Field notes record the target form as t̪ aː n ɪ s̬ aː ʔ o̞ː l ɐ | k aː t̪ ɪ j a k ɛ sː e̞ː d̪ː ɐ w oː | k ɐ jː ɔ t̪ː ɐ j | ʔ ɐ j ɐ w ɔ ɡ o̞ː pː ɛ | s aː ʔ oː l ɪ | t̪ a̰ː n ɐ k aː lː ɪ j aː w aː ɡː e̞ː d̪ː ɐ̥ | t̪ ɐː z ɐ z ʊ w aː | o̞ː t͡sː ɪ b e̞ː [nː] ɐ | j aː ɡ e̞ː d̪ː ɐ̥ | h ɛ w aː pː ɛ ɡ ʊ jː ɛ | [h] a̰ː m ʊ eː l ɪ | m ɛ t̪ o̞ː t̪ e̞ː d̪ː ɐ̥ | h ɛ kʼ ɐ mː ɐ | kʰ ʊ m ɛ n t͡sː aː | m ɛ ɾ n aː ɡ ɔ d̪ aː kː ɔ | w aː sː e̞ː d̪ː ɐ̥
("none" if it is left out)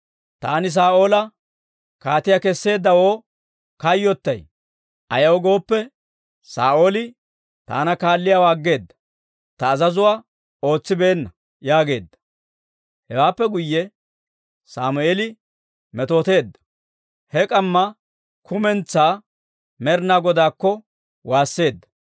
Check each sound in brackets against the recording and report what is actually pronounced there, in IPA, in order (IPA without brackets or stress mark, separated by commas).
nː, s